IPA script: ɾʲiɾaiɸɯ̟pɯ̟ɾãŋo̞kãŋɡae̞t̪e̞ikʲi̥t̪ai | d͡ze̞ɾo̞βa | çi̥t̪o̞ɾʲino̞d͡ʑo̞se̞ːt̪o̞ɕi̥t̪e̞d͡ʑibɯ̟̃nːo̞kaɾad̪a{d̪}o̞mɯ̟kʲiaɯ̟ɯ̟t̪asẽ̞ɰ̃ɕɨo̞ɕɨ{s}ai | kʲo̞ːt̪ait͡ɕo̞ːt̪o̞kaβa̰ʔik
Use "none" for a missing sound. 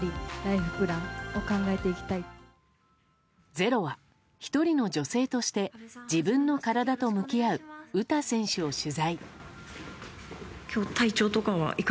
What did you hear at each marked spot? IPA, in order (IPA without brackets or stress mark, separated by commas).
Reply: t̪, z